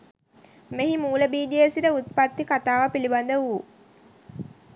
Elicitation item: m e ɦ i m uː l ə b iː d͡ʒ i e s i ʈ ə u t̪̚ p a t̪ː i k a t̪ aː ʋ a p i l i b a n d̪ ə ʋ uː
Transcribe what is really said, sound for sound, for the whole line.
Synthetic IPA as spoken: m e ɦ i m uː l ə b iː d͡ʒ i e s i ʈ ə u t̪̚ p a t̪ː i k a t̪ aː ʋ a p i l i b a n d̪ ə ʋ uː